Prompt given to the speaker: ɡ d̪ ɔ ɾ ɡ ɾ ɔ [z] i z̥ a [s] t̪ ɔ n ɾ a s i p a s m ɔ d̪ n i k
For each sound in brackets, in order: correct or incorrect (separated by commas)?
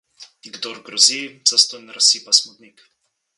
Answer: correct, correct